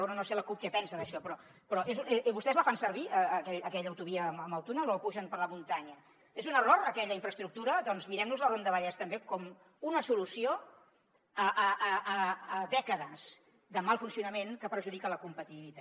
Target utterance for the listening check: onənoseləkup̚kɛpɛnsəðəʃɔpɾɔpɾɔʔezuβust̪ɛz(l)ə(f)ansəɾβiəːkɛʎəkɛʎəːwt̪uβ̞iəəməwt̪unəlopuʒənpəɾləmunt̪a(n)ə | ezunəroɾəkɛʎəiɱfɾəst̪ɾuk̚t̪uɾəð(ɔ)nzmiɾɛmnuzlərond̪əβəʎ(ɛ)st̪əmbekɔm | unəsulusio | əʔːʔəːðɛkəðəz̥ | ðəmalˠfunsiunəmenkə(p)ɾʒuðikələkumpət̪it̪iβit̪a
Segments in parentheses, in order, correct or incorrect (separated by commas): correct, correct, incorrect, correct, correct, correct